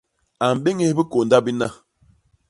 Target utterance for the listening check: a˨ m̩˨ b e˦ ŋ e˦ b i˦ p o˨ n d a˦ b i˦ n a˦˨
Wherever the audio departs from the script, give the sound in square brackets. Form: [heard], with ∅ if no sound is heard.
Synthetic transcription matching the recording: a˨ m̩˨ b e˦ ŋ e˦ b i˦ [k] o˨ n d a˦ b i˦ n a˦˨